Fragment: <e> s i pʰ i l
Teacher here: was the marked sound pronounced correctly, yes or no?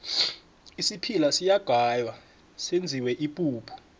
no